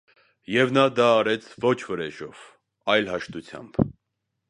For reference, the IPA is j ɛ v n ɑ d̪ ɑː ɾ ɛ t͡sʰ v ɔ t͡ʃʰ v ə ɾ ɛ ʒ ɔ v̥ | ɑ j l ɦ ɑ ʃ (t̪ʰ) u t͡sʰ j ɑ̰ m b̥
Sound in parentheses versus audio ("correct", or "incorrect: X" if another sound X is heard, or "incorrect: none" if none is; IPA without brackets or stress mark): incorrect: t̪